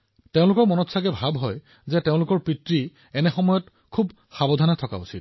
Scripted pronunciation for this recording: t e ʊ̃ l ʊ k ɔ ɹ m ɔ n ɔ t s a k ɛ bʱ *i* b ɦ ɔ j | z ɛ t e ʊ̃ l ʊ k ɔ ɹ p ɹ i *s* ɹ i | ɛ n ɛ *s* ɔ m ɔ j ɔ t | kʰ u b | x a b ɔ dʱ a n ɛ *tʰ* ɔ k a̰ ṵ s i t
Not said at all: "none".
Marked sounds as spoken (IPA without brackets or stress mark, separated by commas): a, t, x, tʰ